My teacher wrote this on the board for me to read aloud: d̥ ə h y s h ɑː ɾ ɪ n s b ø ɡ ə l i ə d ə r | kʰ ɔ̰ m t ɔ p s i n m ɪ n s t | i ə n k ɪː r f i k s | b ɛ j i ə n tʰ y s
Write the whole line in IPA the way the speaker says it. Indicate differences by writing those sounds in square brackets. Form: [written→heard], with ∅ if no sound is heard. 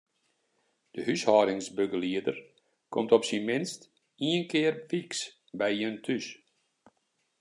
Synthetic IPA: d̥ ə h y s h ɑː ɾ ɪ [n→ŋ] s b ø ɡ ə l i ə d ə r | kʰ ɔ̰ m t ɔ p s i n m ɪ n s t | i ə n k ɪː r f i k s | b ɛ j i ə n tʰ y s